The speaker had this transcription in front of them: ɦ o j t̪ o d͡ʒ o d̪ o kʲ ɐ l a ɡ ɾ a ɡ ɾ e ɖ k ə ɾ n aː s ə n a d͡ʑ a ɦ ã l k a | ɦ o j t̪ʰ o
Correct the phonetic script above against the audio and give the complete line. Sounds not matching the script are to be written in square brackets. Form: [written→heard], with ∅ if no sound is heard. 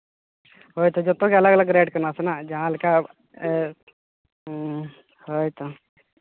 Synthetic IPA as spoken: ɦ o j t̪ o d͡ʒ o [d̪→t̪] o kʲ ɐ l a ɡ [ɾ→l] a ɡ ɾ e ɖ k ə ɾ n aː s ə n a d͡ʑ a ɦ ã l k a | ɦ o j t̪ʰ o